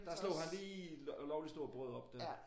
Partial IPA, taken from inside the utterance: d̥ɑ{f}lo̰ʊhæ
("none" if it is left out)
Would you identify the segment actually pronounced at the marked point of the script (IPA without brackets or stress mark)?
s